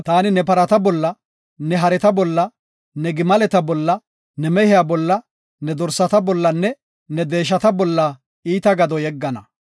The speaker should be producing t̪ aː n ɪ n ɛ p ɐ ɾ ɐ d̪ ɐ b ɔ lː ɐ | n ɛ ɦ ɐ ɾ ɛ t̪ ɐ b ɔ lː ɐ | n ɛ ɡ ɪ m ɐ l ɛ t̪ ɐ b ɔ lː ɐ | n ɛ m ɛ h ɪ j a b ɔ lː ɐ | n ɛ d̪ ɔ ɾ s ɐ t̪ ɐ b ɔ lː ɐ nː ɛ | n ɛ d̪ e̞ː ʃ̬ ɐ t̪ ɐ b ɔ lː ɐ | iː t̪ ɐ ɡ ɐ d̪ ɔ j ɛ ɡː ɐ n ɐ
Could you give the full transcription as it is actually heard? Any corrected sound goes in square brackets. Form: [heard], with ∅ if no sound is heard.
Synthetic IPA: t̪ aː n ɪ n ɛ p ɐ ɾ ɐ [t̪] ɐ b ɔ lː ɐ | n ɛ ɦ ɐ ɾ ɛ t̪ ɐ b ɔ lː ɐ | n ɛ ɡ ɪ m ɐ l ɛ t̪ ɐ b ɔ lː ɐ | n ɛ m ɛ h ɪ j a b ɔ lː ɐ | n ɛ d̪ ɔ ɾ s ɐ t̪ ɐ b ɔ lː ɐ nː ɛ | n ɛ d̪ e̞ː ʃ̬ ɐ t̪ ɐ b ɔ lː ɐ | iː t̪ ɐ ɡ ɐ d̪ ɔ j ɛ ɡː ɐ n ɐ